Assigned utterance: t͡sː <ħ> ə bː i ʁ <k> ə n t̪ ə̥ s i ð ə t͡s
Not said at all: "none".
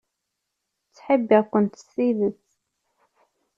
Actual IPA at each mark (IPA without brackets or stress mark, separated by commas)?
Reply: ħ, k